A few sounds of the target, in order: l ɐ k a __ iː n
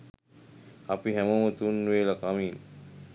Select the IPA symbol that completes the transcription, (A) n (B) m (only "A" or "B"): B